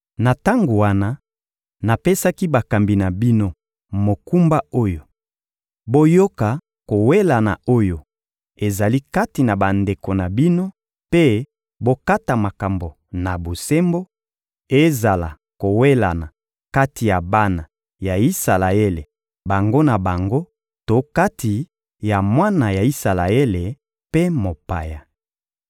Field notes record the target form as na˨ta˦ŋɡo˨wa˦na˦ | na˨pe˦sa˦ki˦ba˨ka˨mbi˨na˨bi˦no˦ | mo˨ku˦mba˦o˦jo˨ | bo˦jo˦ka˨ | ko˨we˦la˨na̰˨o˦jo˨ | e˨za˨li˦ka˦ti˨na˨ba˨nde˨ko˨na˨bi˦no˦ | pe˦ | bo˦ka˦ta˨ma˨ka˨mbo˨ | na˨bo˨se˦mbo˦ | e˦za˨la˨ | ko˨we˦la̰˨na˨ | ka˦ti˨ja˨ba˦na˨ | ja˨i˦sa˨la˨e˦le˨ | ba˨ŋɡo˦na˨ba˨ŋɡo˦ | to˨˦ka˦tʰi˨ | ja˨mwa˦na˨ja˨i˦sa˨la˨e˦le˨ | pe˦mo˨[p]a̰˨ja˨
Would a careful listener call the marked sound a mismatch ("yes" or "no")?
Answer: no